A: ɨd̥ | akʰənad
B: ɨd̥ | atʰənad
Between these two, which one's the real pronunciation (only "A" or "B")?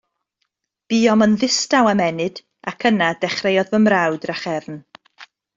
A